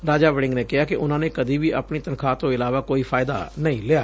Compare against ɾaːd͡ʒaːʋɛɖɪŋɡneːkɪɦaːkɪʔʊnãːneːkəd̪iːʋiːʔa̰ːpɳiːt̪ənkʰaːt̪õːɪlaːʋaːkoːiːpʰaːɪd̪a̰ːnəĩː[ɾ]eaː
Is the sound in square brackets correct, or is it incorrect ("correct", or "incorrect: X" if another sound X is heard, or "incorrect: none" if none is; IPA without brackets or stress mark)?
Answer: incorrect: l